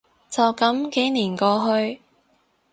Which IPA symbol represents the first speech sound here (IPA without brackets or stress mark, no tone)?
t͡s